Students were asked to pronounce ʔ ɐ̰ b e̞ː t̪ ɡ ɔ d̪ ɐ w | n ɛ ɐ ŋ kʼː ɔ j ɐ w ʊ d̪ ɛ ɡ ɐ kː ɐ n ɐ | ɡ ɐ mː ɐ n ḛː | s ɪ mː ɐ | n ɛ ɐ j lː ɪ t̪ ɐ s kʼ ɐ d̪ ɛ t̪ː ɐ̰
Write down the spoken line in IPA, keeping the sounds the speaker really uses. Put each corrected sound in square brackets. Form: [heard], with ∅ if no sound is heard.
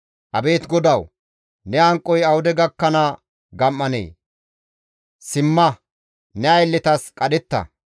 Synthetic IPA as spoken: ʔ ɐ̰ b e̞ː t̪ ɡ ɔ d̪ ɐ w | n ɛ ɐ ŋ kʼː ɔ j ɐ w ʊ d̪ ɛ ɡ ɐ kː ɐ n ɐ | ɡ ɐ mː ɐ n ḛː | s ɪ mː ɐ | n ɛ ɐ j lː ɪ t̪ ɐ s kʼ ɐ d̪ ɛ t̪ː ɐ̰